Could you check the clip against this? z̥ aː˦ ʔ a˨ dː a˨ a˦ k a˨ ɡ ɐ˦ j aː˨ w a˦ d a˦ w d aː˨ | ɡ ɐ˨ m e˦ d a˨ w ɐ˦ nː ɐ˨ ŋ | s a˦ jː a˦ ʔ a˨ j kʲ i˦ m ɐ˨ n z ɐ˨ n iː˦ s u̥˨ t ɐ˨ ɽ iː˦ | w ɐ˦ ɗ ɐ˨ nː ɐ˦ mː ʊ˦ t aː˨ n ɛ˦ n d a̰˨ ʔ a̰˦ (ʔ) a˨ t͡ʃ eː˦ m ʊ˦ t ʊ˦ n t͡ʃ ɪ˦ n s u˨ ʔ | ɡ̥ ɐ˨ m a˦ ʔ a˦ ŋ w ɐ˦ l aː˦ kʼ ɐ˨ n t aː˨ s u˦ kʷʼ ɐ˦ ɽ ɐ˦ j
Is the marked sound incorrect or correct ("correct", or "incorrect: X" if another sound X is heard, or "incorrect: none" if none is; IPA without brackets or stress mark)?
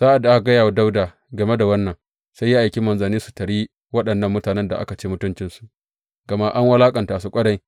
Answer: incorrect: k